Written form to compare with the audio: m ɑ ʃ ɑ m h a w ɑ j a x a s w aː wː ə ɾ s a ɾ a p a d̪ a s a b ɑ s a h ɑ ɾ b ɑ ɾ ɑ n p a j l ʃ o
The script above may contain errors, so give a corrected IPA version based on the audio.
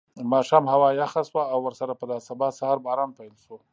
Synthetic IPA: m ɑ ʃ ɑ m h a w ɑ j a x a s w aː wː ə ɾ s a ɾ a p ə d̪ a s a b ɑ s a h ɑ ɾ b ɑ ɾ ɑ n p a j l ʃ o